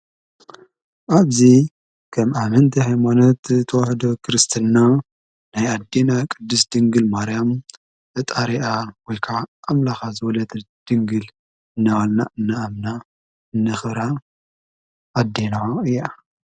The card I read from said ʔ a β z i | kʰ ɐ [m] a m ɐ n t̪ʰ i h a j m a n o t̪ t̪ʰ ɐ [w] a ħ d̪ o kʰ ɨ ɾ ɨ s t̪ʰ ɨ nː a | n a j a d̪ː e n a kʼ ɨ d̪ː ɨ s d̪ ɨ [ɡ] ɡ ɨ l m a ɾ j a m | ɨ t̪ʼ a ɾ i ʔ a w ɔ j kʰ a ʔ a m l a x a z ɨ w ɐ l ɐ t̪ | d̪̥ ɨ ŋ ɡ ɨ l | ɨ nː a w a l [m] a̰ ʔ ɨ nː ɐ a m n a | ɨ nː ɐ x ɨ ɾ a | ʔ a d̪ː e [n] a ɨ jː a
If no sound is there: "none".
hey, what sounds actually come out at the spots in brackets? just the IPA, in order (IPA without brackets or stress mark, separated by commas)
m, w, ŋ, n, n